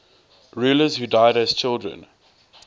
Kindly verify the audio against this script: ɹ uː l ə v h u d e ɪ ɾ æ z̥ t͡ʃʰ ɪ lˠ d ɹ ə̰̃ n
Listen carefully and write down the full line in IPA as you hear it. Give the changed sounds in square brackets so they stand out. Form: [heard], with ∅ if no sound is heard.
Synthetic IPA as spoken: ɹ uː l ə [z] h u d [a] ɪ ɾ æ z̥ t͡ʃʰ ɪ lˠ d ɹ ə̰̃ n